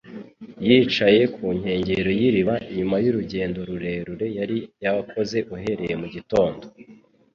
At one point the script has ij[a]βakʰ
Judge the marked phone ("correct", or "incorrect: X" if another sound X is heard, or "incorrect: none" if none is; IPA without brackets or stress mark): correct